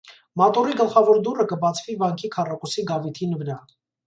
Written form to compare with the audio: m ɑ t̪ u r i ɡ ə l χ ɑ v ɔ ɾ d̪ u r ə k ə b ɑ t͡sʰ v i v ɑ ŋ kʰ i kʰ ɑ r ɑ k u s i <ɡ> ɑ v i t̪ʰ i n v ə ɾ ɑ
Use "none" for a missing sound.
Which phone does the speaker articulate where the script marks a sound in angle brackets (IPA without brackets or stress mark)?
ɡ